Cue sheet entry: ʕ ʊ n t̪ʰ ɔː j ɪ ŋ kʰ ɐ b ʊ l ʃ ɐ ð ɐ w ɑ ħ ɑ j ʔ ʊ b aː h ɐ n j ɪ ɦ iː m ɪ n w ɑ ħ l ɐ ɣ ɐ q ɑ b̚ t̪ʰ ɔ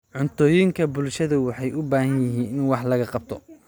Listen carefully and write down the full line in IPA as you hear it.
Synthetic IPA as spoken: ʕ ʊ n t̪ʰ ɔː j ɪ ŋ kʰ ɐ b ʊ l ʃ ɐ ð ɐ w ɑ ħ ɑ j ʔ ʊ b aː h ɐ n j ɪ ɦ iː n ɪ n w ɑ ħ l ɐ ɣ ɐ q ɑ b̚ t̪ʰ ɔ